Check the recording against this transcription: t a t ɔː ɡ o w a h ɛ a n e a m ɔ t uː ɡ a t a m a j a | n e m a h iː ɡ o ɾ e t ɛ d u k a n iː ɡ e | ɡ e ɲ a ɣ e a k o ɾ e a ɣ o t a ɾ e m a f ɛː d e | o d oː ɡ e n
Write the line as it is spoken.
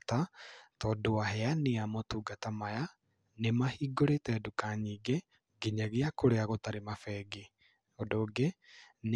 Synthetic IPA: t a t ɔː d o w a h ɛ a n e a m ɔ t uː ɡ a t a m a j a | n e m a h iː ɡ o ɾ e t ɛ d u k a ɲ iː ɡ e | ɡ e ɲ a ɣ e a k o ɾ e a ɣ o t a ɾ e m a f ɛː ɡ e | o d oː ɡ e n